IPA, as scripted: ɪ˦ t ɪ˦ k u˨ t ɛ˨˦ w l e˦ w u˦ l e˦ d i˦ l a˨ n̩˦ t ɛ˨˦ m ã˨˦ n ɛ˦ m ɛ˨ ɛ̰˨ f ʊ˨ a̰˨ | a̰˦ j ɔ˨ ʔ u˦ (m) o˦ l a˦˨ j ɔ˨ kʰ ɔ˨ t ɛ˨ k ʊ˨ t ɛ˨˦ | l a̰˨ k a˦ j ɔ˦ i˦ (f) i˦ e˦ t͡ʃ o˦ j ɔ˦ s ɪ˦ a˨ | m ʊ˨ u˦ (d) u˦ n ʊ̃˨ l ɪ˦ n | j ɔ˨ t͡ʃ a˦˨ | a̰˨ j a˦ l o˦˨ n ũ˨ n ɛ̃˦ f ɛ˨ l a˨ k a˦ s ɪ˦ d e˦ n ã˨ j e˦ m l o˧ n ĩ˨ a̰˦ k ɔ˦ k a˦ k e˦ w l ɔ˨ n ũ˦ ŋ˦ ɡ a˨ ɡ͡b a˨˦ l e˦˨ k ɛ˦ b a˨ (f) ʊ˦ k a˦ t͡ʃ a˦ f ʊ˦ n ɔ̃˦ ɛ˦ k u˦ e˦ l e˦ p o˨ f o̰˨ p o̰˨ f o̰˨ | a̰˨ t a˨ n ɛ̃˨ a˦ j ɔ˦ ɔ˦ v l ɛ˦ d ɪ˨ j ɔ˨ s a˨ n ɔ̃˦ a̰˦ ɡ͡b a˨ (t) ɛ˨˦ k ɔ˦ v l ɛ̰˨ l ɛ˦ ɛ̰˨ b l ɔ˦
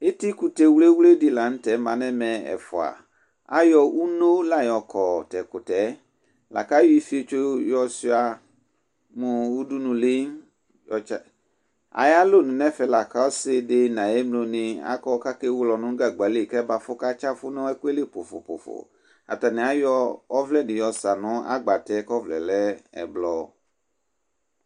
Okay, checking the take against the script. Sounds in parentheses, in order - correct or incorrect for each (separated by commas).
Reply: incorrect, correct, correct, correct, correct